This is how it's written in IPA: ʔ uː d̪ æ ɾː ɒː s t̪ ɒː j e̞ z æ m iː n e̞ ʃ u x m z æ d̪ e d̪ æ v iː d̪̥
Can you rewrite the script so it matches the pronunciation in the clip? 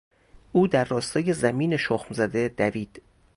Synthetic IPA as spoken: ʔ uː d̪ æ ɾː ɒː s t̪ ɒː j e̞ z æ m iː n e̞ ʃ o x m z æ d̪ e d̪ æ v iː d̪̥